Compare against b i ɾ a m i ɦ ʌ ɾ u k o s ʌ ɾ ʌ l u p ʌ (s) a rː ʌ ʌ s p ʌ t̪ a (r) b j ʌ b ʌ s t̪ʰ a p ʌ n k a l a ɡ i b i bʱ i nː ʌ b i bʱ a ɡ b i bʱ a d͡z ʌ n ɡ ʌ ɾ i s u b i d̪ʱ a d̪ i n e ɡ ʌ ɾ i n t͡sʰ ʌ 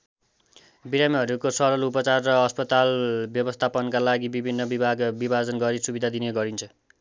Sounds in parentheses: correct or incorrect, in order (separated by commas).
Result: incorrect, incorrect